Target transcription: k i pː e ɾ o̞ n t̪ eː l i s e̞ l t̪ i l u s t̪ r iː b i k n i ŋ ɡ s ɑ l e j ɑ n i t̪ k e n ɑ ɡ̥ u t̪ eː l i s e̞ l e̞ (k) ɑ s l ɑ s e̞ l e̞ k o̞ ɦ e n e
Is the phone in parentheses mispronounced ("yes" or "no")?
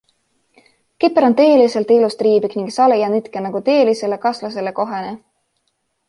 no